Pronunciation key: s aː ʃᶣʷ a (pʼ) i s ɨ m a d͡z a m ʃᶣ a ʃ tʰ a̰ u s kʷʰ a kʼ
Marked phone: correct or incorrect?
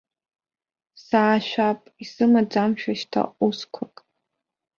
correct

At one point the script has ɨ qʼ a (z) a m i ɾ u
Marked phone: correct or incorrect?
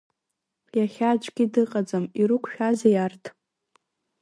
incorrect: d͡z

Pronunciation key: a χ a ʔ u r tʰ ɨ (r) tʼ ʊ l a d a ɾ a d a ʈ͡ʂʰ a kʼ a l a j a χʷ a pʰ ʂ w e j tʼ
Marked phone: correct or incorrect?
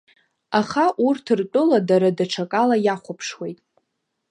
correct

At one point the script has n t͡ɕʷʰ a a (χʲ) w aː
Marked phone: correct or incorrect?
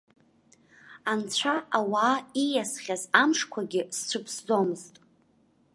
incorrect: none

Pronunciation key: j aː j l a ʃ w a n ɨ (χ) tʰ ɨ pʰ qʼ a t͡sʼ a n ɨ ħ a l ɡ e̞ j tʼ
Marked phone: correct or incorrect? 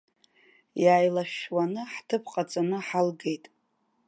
incorrect: ħ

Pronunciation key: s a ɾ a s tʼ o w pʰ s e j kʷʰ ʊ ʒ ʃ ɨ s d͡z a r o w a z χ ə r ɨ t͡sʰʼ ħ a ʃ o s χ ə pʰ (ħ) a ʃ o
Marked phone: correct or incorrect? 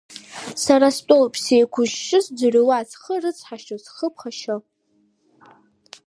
incorrect: χ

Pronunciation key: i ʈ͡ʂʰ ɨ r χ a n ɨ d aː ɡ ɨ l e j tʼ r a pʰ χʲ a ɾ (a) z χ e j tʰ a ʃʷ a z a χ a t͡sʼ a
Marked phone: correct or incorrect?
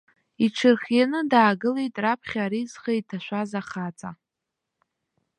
incorrect: i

